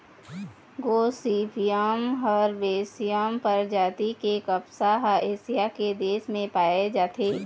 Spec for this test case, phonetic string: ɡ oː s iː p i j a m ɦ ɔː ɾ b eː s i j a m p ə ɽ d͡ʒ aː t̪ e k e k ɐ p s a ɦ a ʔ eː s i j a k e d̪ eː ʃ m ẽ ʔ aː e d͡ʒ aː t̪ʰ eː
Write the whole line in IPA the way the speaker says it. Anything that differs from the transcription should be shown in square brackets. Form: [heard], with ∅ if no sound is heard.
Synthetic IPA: ɡ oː s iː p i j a m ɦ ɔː ɾ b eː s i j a m p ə [ɾ] d͡ʒ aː t̪ [i] k e k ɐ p s a ɦ a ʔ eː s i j a k e d̪ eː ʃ m ẽ [p] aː e d͡ʒ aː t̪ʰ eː